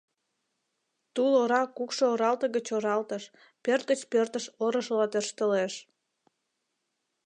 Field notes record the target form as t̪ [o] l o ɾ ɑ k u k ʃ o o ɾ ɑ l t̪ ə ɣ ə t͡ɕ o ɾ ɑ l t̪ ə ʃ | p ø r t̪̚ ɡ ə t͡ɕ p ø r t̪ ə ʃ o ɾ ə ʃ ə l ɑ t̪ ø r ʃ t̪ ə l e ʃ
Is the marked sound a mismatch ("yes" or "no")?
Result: yes